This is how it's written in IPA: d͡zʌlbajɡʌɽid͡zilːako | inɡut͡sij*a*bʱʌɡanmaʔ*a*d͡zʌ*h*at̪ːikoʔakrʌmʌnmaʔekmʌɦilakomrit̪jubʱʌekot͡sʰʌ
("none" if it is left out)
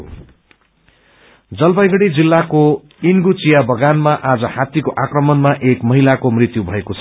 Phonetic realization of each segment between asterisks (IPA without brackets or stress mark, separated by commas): a, a, h